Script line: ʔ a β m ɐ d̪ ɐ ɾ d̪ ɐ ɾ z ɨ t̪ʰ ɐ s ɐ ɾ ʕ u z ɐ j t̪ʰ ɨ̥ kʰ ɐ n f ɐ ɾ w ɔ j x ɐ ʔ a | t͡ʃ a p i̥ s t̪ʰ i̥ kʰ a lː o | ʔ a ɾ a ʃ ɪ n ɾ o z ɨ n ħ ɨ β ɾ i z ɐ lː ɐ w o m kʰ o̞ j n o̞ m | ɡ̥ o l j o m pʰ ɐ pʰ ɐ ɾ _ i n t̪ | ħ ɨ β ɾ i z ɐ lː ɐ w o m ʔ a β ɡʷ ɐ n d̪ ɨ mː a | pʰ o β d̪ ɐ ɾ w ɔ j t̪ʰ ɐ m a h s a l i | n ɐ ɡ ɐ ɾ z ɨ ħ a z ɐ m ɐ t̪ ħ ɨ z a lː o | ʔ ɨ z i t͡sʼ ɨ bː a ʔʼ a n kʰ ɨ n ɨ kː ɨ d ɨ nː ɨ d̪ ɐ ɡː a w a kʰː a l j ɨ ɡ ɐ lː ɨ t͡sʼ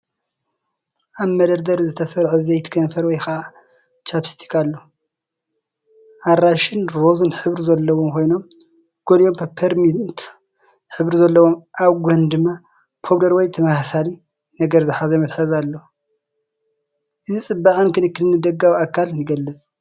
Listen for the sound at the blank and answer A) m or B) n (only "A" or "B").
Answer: A